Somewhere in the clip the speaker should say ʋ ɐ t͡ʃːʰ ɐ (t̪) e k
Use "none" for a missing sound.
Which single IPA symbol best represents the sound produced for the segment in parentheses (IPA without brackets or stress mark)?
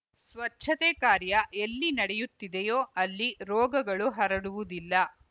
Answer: t̪